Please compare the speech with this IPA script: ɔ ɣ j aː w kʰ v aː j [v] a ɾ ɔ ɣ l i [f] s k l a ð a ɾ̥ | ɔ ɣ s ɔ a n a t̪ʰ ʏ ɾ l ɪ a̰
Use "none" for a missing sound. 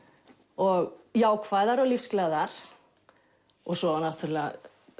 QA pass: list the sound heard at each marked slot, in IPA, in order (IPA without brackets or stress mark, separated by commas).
ð, f